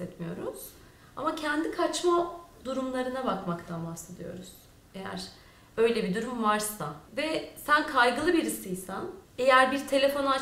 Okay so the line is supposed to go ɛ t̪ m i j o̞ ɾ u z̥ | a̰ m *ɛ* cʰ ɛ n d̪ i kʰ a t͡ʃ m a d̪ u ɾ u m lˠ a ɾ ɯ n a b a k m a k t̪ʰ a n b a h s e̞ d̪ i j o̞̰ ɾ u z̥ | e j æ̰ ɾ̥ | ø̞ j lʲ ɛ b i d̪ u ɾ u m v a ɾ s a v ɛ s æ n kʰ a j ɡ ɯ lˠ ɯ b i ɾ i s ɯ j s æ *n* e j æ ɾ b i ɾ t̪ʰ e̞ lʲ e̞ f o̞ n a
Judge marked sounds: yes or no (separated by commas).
no, yes